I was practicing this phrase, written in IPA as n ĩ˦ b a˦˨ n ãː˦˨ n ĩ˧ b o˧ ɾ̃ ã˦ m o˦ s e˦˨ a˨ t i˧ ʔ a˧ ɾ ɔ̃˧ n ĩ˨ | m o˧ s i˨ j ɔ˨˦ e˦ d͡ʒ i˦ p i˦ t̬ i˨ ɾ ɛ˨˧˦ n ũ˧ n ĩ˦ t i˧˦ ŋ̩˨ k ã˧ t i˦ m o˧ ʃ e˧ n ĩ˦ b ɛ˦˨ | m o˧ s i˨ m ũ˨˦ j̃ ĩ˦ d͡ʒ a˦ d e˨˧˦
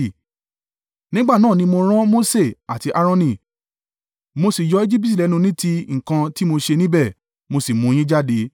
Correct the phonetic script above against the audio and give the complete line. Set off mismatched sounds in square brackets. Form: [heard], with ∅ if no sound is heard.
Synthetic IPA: n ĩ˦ [ɡ͡b] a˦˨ n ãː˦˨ n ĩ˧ [m] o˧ ɾ̃ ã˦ m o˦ s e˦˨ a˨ t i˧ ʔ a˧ ɾ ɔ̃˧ n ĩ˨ | m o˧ s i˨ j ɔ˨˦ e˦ d͡ʒ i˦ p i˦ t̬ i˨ [l] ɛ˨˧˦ n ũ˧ n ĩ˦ t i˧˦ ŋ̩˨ k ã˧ t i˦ m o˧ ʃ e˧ n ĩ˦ b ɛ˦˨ | m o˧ s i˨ m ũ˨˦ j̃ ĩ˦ d͡ʒ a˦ d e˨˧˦